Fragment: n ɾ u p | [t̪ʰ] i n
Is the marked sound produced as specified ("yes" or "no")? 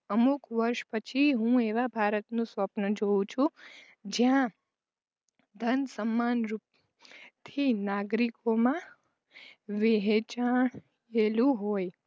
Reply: yes